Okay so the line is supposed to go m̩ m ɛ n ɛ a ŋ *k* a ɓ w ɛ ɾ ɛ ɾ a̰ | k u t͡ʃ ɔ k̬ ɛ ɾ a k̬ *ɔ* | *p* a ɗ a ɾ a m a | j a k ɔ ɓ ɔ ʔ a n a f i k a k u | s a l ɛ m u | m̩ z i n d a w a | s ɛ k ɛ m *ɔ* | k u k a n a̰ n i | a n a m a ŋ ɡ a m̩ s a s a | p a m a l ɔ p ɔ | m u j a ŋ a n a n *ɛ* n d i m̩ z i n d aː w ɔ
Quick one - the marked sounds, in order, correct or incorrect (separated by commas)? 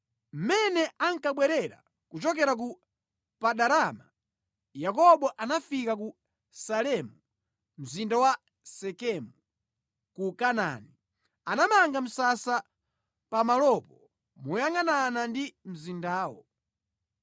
correct, incorrect, correct, incorrect, incorrect